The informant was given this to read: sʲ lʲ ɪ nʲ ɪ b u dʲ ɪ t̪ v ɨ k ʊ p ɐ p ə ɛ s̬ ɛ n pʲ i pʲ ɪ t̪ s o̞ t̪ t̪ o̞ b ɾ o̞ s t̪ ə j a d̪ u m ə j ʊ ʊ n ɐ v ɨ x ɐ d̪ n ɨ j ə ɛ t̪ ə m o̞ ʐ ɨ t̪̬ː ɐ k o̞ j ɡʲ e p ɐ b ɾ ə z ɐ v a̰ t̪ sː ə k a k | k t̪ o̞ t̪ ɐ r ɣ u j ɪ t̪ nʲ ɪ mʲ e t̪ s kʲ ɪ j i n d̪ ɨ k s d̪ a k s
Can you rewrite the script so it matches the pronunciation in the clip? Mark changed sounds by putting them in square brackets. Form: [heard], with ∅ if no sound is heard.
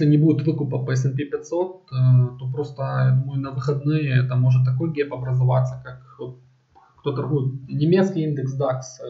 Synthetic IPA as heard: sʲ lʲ ɪ nʲ ɪ b u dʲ ɪ t̪ v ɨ k ʊ p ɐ p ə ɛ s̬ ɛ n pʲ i pʲ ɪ t̪ s o̞ t̪ t̪ o̞ [p] ɾ o̞ s t̪ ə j a d̪ u m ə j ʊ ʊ n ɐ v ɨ x ɐ d̪ n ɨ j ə ɛ t̪ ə m o̞ ʐ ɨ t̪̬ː ɐ k o̞ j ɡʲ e p ɐ b ɾ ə z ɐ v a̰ t̪ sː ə k a k | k t̪ o̞ t̪ ɐ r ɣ u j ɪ t̪ nʲ ɪ mʲ e t̪ s kʲ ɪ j i n d̪ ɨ k s d̪ a k s

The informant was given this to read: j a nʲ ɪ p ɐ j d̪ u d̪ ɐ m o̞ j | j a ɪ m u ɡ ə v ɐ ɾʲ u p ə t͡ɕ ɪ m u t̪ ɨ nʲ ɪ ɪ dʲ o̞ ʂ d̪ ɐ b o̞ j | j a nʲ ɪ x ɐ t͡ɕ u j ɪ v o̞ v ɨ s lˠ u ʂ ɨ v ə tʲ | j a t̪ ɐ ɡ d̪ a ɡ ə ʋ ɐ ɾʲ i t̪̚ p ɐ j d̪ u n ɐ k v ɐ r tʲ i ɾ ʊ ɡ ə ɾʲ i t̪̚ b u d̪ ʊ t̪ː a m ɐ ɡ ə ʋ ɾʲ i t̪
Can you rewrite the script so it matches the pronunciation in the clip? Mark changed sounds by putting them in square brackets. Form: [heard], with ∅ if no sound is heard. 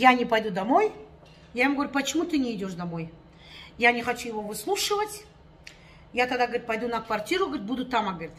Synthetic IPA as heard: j a nʲ ɪ p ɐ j d̪ u d̪ ɐ m o̞ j | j a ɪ m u ɡ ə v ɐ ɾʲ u p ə t͡ɕ ɪ m u t̪ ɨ nʲ ɪ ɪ dʲ o̞ ʂ d̪ ɐ [m] o̞ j | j a nʲ ɪ x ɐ t͡ɕ u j ɪ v o̞ v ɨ s lˠ u ʂ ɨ v ə tʲ | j a t̪ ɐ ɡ d̪ a ɡ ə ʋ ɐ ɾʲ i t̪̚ p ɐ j d̪ u n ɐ k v ɐ r tʲ i ɾ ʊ ɡ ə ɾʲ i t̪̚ b u d̪ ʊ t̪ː a m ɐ ɡ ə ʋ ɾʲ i t̪

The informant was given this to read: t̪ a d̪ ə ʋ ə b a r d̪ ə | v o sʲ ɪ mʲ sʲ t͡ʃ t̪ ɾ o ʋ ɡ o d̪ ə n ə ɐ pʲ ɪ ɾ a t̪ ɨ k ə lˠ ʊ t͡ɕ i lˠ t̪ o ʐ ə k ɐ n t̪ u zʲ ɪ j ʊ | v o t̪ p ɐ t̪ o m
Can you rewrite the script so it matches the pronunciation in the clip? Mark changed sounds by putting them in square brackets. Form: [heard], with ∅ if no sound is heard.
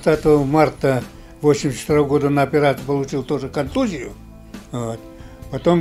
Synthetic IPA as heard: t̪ a [t̪] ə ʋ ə [m] a r [t̪] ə | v o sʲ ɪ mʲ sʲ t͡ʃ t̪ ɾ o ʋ ɡ o d̪ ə n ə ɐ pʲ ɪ ɾ a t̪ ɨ [p] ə lˠ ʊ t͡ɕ i lˠ t̪ o ʐ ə k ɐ n t̪ u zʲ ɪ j ʊ | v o t̪ p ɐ t̪ o m

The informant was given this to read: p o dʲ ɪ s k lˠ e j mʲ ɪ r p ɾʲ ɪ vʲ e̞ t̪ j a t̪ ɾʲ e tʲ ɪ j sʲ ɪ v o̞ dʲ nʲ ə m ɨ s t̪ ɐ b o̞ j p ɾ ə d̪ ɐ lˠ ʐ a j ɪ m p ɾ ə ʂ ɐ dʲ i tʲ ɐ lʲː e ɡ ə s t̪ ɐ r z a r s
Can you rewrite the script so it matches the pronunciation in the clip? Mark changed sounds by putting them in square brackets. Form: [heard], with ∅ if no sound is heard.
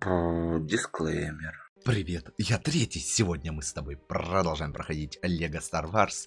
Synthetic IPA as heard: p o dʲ ɪ s k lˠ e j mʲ ɪ r p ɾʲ ɪ vʲ e̞ t̪ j a t̪ ɾʲ e tʲ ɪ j sʲ ɪ v o̞ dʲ nʲ ə m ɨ s t̪ ɐ b o̞ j p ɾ ə d̪ ɐ lˠ ʐ a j ɪ m p ɾ ə [x] ɐ dʲ i tʲ ɐ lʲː e ɡ ə s t̪ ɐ r [v] a r s

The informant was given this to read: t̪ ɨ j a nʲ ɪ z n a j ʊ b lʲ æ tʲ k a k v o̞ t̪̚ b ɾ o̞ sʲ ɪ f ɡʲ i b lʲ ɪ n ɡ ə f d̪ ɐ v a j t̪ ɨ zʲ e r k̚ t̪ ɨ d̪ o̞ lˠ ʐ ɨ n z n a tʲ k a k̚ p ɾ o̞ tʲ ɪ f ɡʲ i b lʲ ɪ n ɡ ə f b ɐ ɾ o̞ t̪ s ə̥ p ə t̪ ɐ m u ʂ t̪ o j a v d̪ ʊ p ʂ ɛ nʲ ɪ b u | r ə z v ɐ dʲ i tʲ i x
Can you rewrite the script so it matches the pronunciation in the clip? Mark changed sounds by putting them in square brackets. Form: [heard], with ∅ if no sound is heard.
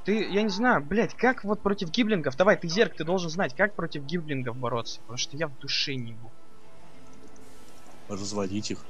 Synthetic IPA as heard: t̪ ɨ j a nʲ ɪ z n a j ʊ b lʲ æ tʲ k a k v o̞ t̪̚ [p] ɾ o̞ [tʲ] ɪ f ɡʲ i b lʲ ɪ n ɡ ə f d̪ ɐ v a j t̪ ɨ zʲ e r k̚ t̪ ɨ d̪ o̞ lˠ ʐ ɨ n z n a tʲ k a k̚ p ɾ o̞ tʲ ɪ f ɡʲ i b lʲ ɪ n ɡ ə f b ɐ ɾ o̞ t̪ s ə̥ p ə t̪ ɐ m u ʂ t̪ o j a v d̪ ʊ [∅] ʂ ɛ nʲ ɪ b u | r ə z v ɐ dʲ i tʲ i x

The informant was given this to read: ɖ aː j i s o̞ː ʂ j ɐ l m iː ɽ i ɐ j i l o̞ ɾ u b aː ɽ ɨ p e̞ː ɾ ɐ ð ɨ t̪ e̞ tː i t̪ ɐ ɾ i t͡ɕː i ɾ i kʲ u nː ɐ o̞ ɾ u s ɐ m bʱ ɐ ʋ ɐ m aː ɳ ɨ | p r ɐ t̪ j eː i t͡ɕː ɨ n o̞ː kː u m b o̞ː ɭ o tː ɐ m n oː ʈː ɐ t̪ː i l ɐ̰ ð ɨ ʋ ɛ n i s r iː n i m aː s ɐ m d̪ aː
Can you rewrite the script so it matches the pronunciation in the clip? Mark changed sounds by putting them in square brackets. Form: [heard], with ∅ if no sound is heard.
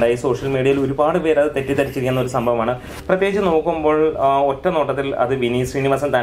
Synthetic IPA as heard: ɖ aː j i s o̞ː ʂ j ɐ l m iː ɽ i ɐ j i l o̞ ɾ u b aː ɽ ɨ p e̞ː ɾ ɐ ð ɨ t̪ e̞ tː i t̪ ɐ ɾ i t͡ɕː i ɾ i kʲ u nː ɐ o̞ ɾ u s ɐ m bʱ ɐ ʋ ɐ m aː ɳ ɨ | p r ɐ t̪ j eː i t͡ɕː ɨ n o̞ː kː u m b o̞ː ɭ o tː ɐ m n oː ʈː ɐ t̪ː i l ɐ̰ ð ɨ ʋ [i] n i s r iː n i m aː s ɐ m [t̪] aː

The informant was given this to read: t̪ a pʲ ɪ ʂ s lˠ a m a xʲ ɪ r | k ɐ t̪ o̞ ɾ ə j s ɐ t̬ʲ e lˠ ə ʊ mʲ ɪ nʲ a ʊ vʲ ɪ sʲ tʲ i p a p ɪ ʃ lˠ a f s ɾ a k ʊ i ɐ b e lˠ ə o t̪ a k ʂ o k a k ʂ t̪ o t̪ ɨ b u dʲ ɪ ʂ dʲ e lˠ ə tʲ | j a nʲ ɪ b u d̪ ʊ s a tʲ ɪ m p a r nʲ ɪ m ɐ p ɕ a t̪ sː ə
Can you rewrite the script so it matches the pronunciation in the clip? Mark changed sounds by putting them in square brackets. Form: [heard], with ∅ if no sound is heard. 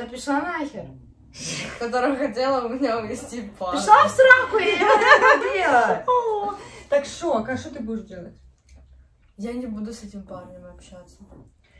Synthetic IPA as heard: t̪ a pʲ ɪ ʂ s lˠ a [n] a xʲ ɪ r | k ɐ t̪ o̞ ɾ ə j [x] ɐ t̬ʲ e lˠ ə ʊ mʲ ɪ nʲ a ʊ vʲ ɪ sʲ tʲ i p a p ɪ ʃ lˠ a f s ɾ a k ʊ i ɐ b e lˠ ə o t̪ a k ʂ o k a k ʂ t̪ o t̪ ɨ b u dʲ ɪ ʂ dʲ e lˠ ə tʲ | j a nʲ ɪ b u d̪ ʊ s [ɛ] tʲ ɪ m p a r nʲ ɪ m ɐ p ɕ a t̪ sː ə

